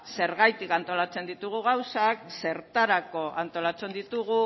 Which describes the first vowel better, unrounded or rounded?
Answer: unrounded